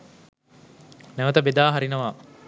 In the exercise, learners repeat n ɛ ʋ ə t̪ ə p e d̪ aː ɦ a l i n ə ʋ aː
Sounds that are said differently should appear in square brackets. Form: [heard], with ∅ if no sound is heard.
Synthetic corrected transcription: n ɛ ʋ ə t̪ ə [b] e d̪ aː ɦ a [ɾ] i n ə ʋ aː